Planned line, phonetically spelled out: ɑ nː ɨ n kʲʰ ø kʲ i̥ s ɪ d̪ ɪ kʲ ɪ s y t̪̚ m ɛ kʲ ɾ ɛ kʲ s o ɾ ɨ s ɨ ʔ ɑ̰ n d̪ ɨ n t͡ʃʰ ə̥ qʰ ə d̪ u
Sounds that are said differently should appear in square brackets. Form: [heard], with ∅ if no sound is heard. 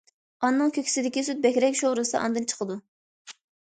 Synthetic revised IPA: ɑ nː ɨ [ŋ] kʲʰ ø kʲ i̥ s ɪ d̪ ɪ kʲ [i] s y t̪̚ [b] ɛ kʲ ɾ ɛ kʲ [ʃ] o ɾ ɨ s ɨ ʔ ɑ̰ n d̪ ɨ n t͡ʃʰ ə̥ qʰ ə d̪ u